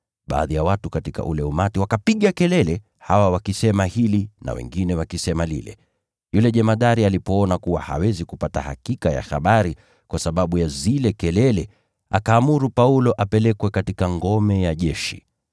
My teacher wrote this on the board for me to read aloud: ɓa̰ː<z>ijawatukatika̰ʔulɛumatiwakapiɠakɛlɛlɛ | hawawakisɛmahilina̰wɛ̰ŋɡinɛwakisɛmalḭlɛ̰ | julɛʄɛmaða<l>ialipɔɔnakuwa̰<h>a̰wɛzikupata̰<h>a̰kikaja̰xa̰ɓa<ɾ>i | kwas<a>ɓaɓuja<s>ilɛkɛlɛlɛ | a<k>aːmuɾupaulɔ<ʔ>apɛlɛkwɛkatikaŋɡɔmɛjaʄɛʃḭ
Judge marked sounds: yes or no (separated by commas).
no, no, yes, yes, yes, yes, no, yes, yes